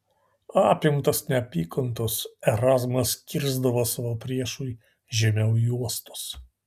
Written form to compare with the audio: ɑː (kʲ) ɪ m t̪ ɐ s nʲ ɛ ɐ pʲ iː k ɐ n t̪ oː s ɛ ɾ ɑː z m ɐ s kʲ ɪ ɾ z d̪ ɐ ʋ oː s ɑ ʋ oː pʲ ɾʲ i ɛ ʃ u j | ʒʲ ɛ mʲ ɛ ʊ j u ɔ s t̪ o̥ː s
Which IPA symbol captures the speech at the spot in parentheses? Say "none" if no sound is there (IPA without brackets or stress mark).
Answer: pʲ